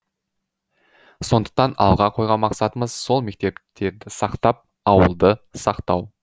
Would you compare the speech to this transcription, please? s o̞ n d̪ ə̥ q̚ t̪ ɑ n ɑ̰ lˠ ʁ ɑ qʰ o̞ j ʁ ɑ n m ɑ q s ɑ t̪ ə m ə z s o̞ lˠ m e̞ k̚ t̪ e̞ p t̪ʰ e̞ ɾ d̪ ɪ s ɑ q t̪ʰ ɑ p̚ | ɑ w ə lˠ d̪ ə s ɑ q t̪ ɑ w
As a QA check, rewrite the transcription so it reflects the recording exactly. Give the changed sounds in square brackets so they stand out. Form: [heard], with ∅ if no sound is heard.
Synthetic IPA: s o̞ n d̪ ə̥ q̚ t̪ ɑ n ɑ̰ lˠ ʁ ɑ qʰ o̞ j ʁ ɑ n m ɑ q s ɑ t̪ ə m ə z s o̞ lˠ m e̞ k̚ t̪ e̞ p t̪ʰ e̞ ɾ d̪ ɪ s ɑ q [t̪] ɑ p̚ | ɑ w ə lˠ d̪ ə s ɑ q t̪ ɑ w